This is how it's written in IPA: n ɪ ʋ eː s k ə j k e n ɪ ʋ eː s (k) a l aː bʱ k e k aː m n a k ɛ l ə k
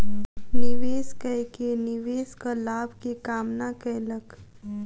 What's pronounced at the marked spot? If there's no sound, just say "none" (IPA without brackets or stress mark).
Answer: k